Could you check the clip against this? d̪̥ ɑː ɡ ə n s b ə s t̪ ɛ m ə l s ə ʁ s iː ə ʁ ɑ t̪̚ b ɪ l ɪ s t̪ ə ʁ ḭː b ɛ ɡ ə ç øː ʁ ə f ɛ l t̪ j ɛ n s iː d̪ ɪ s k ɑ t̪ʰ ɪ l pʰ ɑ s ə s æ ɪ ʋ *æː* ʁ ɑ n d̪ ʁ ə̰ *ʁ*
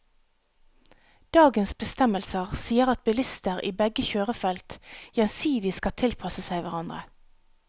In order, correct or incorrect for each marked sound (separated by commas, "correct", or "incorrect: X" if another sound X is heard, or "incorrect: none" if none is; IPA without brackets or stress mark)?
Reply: incorrect: æ, incorrect: none